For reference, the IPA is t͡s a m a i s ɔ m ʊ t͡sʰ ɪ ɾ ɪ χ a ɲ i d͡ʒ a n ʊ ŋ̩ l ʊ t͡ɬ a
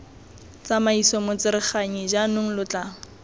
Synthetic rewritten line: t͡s a m a i s ɔ m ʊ t͡s ɪ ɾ ɪ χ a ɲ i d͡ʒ a n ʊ ŋ̩ l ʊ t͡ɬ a